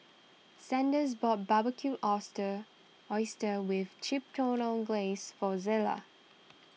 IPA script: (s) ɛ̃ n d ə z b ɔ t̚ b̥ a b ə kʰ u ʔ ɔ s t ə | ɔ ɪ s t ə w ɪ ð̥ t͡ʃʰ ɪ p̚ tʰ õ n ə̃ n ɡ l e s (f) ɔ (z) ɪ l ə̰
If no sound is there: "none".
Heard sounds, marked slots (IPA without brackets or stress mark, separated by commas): s, f, z